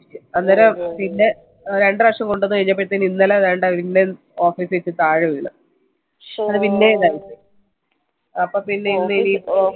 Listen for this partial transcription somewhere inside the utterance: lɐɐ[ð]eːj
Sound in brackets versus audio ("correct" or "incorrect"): correct